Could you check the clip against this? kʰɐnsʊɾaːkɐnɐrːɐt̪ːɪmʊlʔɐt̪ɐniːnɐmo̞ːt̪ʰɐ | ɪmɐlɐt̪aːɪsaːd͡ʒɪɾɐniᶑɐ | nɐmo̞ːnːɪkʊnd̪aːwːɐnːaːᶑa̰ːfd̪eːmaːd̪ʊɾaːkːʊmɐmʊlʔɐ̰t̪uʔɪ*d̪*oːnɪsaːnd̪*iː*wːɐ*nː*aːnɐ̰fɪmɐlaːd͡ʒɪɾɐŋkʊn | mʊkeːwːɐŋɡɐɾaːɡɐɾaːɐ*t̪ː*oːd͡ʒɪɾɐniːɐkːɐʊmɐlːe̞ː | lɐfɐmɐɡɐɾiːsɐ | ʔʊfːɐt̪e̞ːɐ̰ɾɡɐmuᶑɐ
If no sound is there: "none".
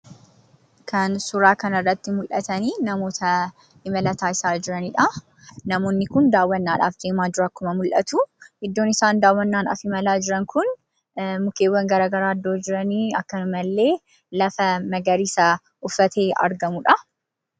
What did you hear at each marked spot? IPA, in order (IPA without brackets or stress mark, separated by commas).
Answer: d̪ː, aː, nː, d̪ː